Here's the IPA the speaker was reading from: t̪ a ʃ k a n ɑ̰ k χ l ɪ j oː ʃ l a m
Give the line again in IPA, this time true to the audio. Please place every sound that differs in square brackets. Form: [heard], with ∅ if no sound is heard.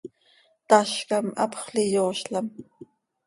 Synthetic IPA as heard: t̪ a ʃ k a [m] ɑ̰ [p] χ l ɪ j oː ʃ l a m